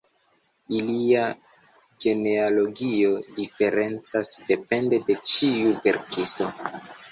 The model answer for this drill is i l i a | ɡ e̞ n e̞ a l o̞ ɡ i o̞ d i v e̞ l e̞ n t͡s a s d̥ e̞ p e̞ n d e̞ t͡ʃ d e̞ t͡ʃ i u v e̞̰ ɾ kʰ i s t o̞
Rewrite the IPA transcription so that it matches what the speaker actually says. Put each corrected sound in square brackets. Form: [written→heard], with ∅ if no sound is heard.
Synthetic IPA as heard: i l i a | ɡ e̞ n e̞ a l o̞ ɡ i o̞ d i [v→f] e̞ [l→ɾ] e̞ n t͡s a s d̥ e̞ p e̞ n d e̞ [t͡ʃ→∅] d e̞ t͡ʃ i u v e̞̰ ɾ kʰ i s t o̞